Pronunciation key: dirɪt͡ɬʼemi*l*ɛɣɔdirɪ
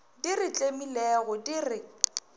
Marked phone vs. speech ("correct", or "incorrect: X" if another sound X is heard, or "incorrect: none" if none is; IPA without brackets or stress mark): correct